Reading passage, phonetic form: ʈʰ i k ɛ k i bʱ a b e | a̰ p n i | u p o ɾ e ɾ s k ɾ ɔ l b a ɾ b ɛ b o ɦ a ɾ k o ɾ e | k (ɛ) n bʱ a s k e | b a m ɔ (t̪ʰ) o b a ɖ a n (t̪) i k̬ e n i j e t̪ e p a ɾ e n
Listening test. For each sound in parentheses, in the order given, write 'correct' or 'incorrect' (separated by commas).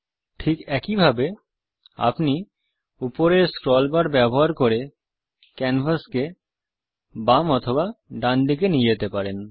correct, correct, incorrect